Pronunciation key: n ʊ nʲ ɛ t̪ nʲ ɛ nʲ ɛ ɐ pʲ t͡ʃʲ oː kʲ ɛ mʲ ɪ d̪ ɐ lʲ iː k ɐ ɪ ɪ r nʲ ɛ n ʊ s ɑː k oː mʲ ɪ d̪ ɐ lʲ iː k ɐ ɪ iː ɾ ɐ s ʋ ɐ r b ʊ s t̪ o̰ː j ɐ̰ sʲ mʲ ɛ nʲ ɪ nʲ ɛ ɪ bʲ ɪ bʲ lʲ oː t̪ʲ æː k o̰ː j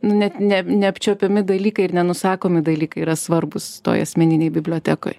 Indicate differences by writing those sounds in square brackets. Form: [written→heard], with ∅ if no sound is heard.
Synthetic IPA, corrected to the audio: n ʊ nʲ ɛ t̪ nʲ ɛ nʲ ɛ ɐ pʲ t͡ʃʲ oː [kʲ→pʲ] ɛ mʲ ɪ d̪ ɐ lʲ iː k ɐ ɪ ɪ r nʲ ɛ n ʊ s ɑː k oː mʲ ɪ d̪ ɐ lʲ iː k ɐ ɪ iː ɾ ɐ s ʋ ɐ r b ʊ s t̪ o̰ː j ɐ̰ sʲ mʲ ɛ nʲ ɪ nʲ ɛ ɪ bʲ ɪ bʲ lʲ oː t̪ʲ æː k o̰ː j